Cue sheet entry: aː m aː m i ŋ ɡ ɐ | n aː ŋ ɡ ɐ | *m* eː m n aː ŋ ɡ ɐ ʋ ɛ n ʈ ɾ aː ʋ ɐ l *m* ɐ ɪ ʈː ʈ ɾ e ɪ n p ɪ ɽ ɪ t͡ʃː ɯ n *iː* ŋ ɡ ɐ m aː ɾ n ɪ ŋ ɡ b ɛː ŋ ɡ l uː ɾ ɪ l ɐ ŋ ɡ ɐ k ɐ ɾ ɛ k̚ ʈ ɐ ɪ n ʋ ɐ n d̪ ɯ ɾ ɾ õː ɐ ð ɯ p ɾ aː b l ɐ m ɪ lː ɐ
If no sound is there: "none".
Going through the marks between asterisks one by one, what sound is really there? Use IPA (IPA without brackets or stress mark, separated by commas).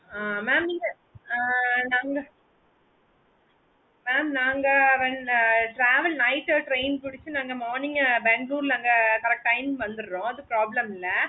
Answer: m, n, aː